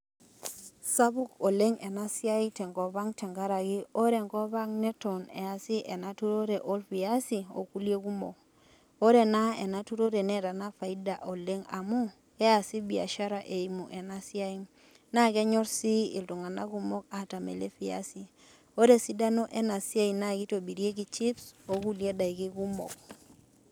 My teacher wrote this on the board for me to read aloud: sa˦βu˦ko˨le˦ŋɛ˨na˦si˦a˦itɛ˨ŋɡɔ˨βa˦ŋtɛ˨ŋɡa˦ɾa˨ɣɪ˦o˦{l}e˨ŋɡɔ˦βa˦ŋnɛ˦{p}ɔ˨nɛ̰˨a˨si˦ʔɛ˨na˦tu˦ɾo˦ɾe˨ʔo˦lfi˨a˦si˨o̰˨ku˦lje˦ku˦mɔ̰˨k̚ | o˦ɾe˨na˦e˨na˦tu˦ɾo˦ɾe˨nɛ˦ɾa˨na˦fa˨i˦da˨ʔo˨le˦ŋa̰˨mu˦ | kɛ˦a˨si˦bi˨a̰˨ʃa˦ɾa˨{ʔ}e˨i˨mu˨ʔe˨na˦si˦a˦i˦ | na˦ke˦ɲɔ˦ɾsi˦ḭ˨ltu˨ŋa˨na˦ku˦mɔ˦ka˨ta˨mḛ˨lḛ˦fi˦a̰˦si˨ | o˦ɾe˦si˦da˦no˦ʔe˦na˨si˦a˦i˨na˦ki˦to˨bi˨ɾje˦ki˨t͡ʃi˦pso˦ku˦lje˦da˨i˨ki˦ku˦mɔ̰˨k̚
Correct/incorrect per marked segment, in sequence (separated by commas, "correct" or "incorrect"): incorrect, incorrect, correct